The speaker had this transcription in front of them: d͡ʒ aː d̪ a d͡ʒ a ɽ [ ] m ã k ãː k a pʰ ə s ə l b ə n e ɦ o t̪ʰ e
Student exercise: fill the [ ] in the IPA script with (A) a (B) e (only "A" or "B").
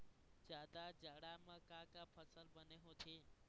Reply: A